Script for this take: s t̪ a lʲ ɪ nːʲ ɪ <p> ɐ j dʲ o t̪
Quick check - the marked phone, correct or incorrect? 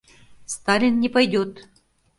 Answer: correct